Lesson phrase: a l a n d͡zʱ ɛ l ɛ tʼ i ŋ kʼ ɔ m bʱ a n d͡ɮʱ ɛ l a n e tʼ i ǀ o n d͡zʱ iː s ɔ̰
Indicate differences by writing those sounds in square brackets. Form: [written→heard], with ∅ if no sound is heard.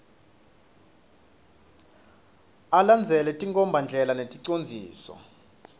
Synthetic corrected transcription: a l a n d͡zʱ ɛ l ɛ tʼ i ŋ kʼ ɔ m bʱ a n d͡ɮʱ ɛ l a n e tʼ i ǀ o n d͡zʱ iː s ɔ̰